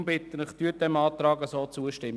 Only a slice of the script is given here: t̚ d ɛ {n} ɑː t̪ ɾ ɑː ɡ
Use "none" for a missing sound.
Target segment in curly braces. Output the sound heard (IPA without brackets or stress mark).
m